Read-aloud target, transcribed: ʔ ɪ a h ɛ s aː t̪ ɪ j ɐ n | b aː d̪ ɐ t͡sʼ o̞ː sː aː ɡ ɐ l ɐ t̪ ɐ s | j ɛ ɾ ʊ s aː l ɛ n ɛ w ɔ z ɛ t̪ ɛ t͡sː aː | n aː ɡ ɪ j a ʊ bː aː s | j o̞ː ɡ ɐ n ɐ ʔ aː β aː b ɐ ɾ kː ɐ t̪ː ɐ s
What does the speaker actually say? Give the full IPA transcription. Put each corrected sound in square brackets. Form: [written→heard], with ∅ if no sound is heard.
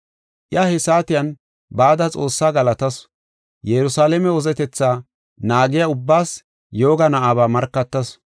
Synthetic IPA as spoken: ʔ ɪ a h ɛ s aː t̪ ɪ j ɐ n | b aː d̪ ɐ t͡sʼ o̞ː sː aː ɡ ɐ l ɐ t̪ ɐ s | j ɛ ɾ ʊ s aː l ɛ [n→m] ɛ w ɔ z ɛ t̪ ɛ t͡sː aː | n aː ɡ ɪ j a ʊ bː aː s | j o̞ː ɡ ɐ n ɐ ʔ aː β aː [b→m] ɐ ɾ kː ɐ t̪ː ɐ s

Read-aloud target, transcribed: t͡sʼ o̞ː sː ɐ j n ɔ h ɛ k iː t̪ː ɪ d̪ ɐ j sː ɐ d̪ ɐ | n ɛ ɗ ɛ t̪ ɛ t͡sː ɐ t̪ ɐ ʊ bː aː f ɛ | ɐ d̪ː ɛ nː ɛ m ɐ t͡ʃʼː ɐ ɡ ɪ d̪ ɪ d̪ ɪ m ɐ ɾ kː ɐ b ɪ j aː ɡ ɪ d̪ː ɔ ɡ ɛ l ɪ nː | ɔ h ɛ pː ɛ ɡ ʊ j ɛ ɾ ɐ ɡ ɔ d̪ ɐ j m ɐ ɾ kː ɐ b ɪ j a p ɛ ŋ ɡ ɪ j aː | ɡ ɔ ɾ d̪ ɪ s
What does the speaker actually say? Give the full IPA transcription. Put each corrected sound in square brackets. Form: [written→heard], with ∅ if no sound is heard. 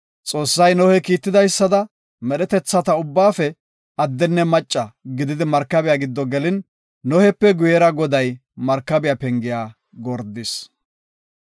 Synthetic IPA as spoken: t͡sʼ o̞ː sː ɐ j n ɔ h ɛ k iː t̪ː ɪ d̪ ɐ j sː ɐ d̪ ɐ | [n→m] ɛ ɗ ɛ t̪ ɛ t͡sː ɐ t̪ ɐ ʊ bː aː f ɛ | ɐ d̪ː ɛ nː ɛ m ɐ t͡ʃʼː ɐ ɡ ɪ d̪ ɪ d̪ ɪ m ɐ ɾ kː ɐ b ɪ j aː ɡ ɪ d̪ː ɔ ɡ ɛ l ɪ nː | ɔ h ɛ pː ɛ ɡ ʊ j ɛ ɾ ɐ ɡ ɔ d̪ ɐ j m ɐ ɾ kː ɐ b ɪ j a p ɛ ŋ ɡ ɪ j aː | ɡ ɔ ɾ d̪ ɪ s

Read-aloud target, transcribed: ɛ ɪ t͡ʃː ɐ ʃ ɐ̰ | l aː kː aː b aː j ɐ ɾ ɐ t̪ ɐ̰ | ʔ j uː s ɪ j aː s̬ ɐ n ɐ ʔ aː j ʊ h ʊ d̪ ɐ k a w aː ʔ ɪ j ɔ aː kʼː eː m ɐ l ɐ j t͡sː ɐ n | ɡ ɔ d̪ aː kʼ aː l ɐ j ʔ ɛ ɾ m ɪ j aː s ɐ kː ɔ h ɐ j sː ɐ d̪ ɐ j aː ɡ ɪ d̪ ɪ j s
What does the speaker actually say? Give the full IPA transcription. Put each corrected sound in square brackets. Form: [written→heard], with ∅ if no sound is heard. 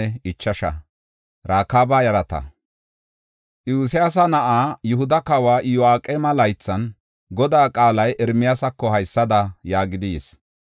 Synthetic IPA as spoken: ɛ ɪ t͡ʃː ɐ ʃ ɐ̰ | [l→ɾ] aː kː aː b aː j ɐ ɾ ɐ t̪ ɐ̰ | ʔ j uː s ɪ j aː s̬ ɐ n ɐ ʔ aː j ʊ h ʊ d̪ ɐ k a w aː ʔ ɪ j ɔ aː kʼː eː m ɐ l ɐ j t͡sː ɐ n | ɡ ɔ d̪ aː kʼ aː l ɐ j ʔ ɛ ɾ m ɪ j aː s ɐ kː ɔ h ɐ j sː ɐ d̪ ɐ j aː ɡ ɪ d̪ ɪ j s

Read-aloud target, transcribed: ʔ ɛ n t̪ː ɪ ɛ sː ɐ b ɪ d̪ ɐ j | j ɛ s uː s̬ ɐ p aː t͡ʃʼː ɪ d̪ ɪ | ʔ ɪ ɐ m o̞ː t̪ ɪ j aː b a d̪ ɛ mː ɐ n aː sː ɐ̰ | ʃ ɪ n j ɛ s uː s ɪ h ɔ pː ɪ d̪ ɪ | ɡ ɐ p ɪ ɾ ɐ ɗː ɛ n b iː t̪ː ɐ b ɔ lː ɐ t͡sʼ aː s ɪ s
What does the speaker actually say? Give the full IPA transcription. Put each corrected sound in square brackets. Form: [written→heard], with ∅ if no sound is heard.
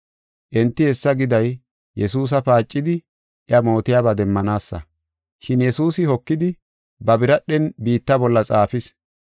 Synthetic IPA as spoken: ʔ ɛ n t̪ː ɪ ɛ sː ɐ [b→ɡ] ɪ d̪ ɐ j | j ɛ s uː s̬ ɐ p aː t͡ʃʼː ɪ d̪ ɪ | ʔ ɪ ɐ m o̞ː t̪ ɪ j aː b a d̪ ɛ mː ɐ n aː sː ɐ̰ | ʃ ɪ n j ɛ s uː s ɪ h ɔ [pː→kː] ɪ d̪ ɪ | [ɡ→b] ɐ [p→b] ɪ ɾ ɐ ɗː ɛ n b iː t̪ː ɐ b ɔ lː ɐ t͡sʼ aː [s→f] ɪ s

